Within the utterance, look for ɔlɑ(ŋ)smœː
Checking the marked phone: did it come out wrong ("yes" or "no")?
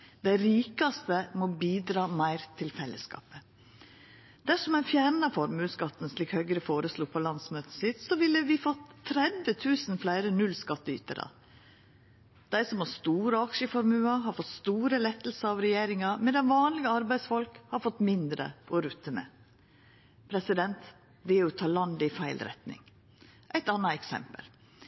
yes